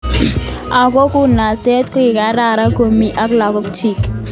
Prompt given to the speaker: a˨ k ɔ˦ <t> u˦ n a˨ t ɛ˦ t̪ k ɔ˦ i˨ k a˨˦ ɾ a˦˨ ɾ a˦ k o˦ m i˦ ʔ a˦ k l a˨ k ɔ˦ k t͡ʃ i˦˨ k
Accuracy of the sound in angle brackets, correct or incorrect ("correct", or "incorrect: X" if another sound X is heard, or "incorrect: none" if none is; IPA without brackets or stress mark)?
incorrect: k